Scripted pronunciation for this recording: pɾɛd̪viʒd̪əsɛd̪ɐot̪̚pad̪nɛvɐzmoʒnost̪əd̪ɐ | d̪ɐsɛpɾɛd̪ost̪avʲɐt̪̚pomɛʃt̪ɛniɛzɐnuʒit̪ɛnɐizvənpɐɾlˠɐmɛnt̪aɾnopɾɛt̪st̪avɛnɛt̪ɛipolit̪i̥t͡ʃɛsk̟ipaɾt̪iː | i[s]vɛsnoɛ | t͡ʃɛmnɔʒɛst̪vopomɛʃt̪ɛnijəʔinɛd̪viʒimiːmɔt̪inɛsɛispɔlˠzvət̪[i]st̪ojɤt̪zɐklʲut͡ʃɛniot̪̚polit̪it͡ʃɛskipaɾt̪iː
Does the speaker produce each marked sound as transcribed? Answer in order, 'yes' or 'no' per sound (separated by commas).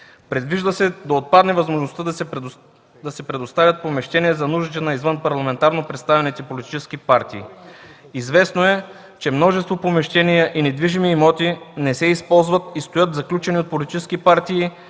no, yes